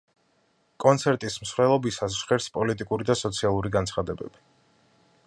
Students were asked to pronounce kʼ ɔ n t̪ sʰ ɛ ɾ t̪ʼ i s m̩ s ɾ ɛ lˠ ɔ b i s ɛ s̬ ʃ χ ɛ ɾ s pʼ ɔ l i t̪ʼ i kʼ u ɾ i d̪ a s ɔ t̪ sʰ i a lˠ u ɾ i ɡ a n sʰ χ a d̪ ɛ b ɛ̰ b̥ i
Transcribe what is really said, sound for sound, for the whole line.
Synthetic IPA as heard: kʼ ɔ n t̪ sʰ ɛ ɾ t̪ʼ i s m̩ s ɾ ɛ lˠ ɔ b i s a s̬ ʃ χ ɛ ɾ s pʼ ɔ l i t̪ʼ i kʼ u ɾ i d̪ a s ɔ t̪ sʰ i a lˠ u ɾ i ɡ a n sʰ χ a d̪ ɛ b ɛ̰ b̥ i